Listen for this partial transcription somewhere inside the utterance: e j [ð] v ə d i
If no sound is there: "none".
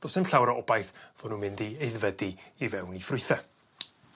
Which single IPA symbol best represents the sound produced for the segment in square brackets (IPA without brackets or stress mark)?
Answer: ð